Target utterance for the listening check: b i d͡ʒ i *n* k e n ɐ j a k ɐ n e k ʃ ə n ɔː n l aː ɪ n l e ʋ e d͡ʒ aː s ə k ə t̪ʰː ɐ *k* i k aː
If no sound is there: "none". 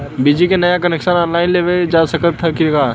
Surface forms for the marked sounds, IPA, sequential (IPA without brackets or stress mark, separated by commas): none, k